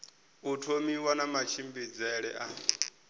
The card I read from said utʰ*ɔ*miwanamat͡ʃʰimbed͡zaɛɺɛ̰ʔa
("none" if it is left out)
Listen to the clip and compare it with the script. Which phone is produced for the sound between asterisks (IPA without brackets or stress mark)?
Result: o